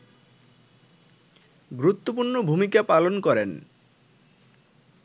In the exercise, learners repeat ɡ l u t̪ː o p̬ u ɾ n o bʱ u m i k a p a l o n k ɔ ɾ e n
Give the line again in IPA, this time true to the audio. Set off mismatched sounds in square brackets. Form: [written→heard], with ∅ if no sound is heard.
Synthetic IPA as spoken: ɡ [l→ɾ] u t̪ː o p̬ u ɾ n o bʱ u m i k a p a l o n k ɔ ɾ e n